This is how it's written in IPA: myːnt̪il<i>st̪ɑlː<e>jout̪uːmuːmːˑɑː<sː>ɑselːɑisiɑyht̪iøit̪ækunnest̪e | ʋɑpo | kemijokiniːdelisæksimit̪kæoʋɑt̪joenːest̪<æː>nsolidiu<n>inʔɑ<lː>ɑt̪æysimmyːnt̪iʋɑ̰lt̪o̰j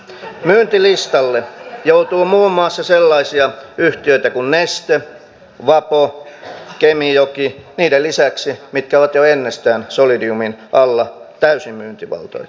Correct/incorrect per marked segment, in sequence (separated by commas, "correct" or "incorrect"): correct, correct, correct, correct, incorrect, correct